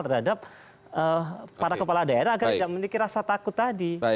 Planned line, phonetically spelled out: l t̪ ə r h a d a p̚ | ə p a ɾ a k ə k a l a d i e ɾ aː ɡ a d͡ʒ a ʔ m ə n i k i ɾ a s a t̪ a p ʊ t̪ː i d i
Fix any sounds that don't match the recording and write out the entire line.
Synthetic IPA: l t̪ ə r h a d a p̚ | ə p a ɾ a k ə p a l a d a e ɾ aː ɡ a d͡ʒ a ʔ m ə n i k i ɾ a s a t̪ a k ʊ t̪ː a d i